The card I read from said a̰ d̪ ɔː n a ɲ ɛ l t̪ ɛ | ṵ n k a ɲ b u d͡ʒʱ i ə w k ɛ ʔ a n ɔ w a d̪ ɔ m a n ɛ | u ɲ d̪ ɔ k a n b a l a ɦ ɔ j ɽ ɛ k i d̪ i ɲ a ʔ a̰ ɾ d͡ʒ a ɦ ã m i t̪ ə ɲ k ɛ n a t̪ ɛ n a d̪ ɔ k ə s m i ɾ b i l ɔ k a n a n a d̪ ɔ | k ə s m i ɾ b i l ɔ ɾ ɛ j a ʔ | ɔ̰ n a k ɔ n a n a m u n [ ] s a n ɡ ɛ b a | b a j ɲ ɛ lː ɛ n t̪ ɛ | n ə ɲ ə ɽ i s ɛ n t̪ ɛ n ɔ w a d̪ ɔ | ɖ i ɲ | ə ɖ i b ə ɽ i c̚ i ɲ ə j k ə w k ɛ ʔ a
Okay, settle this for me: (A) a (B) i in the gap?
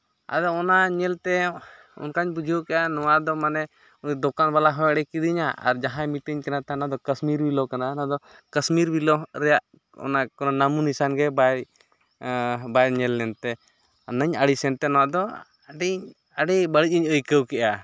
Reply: B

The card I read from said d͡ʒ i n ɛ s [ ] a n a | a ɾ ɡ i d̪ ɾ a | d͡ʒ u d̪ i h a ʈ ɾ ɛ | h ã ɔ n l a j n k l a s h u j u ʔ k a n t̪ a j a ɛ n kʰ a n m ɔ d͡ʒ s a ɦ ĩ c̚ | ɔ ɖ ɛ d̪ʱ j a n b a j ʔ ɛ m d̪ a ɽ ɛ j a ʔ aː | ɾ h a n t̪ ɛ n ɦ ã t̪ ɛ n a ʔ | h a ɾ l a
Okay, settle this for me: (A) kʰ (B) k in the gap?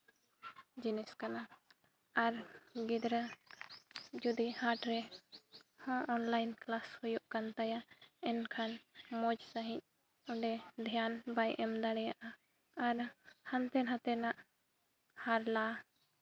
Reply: B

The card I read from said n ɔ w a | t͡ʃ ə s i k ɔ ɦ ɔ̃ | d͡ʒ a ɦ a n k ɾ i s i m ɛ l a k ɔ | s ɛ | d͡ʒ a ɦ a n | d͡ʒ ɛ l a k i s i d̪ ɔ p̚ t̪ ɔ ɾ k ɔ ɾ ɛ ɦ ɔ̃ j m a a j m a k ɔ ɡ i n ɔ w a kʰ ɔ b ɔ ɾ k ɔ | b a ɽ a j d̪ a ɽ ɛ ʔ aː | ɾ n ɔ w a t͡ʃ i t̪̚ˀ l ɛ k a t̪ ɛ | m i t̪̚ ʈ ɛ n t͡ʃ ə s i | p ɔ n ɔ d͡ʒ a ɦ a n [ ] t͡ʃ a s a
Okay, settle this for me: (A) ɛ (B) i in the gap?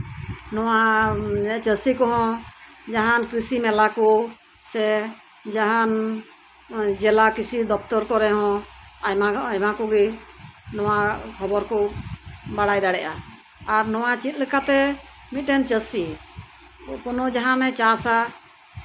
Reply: A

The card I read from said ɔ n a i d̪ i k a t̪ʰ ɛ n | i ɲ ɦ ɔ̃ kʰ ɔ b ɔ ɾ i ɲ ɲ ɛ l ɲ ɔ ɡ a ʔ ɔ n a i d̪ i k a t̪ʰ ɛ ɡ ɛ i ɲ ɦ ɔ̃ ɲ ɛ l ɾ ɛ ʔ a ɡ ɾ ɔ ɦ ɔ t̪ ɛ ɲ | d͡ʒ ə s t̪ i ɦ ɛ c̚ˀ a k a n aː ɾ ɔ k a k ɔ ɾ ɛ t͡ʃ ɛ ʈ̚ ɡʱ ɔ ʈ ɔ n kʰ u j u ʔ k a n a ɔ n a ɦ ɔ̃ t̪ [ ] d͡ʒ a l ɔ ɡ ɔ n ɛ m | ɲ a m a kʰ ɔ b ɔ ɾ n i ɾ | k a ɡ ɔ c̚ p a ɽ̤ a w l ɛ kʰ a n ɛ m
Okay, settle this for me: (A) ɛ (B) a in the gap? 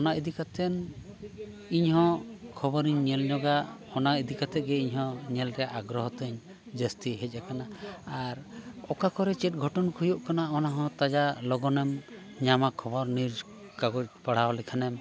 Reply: B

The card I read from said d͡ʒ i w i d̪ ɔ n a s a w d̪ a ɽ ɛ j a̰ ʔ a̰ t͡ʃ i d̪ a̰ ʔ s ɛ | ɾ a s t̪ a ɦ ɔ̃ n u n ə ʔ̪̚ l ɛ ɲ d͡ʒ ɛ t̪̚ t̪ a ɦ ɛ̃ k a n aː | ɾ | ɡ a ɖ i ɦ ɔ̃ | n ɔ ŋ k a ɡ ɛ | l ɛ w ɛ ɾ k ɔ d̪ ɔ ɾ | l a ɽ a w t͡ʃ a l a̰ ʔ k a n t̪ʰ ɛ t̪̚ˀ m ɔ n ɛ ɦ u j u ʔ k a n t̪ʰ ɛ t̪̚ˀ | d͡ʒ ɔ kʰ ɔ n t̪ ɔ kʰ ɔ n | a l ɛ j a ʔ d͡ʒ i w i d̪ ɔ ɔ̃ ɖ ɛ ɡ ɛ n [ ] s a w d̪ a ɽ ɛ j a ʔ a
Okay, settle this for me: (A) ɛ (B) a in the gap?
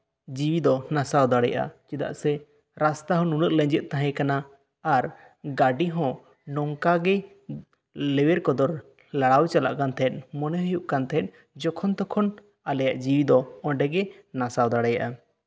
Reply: B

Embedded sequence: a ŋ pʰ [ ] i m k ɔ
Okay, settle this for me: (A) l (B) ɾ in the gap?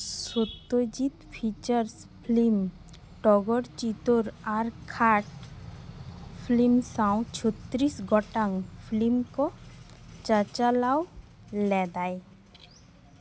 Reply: A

